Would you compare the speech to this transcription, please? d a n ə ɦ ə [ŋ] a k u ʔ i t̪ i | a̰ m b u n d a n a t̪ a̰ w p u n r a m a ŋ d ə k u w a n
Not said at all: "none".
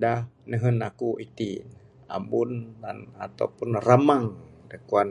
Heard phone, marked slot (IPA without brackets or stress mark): n